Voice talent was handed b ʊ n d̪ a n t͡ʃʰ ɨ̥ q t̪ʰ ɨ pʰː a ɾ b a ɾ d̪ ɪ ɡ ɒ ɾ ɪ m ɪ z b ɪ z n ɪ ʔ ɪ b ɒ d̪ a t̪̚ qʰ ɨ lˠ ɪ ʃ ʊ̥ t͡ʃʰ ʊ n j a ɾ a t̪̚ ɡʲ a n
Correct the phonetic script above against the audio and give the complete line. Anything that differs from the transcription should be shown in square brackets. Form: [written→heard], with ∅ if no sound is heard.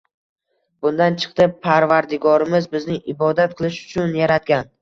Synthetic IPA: b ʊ n d̪ a n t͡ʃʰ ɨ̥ q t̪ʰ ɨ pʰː a ɾ [b→v] a ɾ d̪ ɪ ɡ ɒ ɾ ɪ m ɪ z b ɪ z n ɪ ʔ ɪ b ɒ d̪ a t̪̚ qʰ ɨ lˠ ɪ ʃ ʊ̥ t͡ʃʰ ʊ n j a ɾ a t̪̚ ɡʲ a n